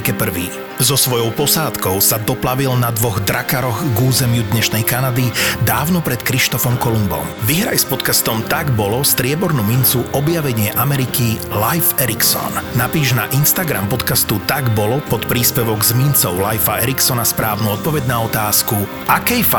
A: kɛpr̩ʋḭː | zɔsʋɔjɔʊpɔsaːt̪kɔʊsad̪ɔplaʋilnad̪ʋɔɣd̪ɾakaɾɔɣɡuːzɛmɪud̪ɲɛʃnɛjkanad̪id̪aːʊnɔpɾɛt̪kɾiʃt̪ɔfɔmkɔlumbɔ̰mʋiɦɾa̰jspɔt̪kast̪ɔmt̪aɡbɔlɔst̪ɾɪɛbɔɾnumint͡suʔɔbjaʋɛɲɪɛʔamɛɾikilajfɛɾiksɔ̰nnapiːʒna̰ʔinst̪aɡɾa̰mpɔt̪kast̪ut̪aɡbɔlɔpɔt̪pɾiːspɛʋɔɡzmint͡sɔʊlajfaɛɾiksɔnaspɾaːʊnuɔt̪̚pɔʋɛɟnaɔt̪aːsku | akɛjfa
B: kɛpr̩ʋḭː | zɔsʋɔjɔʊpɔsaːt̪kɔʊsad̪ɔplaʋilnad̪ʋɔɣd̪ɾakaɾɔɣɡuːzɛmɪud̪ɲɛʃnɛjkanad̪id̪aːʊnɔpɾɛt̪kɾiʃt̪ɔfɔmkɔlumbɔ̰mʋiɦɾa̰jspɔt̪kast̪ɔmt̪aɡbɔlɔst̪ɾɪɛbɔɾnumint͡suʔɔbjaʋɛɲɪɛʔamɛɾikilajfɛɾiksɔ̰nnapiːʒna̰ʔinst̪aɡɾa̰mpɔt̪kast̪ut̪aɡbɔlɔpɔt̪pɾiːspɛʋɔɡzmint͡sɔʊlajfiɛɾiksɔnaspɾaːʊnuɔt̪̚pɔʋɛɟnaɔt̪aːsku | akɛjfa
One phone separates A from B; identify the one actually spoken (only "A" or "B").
A